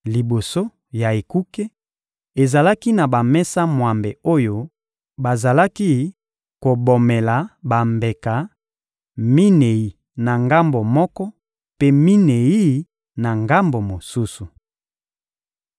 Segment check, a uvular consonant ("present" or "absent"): absent